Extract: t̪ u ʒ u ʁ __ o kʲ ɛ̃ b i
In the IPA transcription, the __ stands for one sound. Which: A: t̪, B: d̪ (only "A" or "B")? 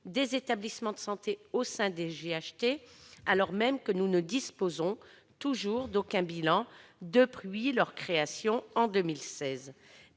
B